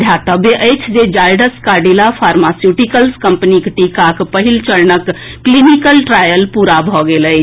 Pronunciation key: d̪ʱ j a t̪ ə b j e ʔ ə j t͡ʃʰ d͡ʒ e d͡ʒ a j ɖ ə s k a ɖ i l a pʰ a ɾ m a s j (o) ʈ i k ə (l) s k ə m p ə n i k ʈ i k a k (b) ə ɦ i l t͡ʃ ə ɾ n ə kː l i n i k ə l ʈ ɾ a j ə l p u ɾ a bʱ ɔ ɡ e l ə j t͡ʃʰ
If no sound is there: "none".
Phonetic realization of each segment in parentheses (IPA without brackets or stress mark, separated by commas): u, l, p